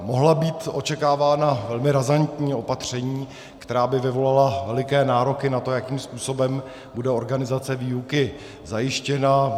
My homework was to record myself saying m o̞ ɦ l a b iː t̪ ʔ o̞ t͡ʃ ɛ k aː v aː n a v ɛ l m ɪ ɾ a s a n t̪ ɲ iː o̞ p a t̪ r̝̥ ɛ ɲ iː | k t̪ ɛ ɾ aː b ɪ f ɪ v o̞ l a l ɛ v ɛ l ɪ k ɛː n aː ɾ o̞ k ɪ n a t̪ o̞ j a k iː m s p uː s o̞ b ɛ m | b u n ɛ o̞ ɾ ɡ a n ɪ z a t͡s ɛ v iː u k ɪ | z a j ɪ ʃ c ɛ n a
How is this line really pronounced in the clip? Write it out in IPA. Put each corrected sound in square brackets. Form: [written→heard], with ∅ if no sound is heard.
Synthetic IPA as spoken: m o̞ ɦ l a b iː t̪ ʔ o̞ t͡ʃ ɛ k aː v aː n a v ɛ l m ɪ ɾ a [s→z] a n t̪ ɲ iː o̞ p a t̪ r̝̥ ɛ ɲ iː | k t̪ ɛ ɾ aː b ɪ [f→v] ɪ v o̞ l a l [ɛ→a] v ɛ l ɪ k ɛː n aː ɾ o̞ k ɪ n a t̪ o̞ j a k iː m s p uː s o̞ b ɛ m | b u [n→d] ɛ o̞ ɾ ɡ a n ɪ z a t͡s ɛ v iː u k ɪ | z a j ɪ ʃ c ɛ n a